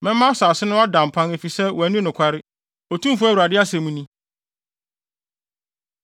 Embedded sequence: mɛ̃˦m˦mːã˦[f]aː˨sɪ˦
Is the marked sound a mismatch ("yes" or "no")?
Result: yes